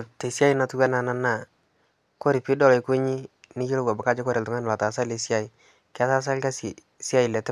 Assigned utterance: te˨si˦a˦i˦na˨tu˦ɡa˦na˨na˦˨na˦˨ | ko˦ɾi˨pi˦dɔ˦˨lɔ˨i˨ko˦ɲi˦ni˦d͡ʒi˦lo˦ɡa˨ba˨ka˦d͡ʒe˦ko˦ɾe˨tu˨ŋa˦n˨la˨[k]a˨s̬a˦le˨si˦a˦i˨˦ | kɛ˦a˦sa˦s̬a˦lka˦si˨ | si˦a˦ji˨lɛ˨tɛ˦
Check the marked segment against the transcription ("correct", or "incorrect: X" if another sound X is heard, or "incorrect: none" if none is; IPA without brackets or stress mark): incorrect: t